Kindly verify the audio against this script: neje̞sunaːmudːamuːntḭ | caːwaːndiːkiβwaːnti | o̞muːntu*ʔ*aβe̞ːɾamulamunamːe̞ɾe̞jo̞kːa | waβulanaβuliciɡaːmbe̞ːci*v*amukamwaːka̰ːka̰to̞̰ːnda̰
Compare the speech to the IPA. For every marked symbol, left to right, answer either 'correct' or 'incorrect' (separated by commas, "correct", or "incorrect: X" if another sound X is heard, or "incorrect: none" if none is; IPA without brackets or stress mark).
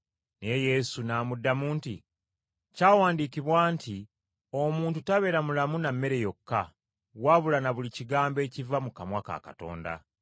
incorrect: t, correct